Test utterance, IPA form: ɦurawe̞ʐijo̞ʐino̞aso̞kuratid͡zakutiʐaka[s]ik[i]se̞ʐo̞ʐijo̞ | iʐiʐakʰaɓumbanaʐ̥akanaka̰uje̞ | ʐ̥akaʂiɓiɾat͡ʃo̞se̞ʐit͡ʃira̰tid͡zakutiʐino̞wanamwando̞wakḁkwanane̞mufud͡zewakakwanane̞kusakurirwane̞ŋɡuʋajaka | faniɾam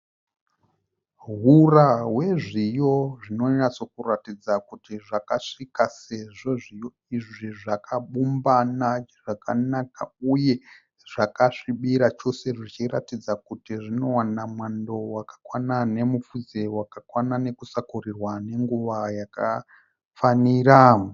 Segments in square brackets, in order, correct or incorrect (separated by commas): incorrect, incorrect